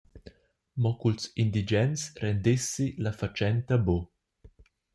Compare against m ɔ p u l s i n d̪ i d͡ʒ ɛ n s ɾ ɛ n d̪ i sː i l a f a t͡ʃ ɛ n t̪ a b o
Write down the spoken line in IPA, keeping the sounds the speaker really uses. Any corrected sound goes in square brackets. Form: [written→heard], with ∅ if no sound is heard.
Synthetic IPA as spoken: m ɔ [p→k] u l s i n d̪ i d͡ʒ ɛ n s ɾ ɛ n d̪ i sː i l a f a t͡ʃ ɛ n t̪ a b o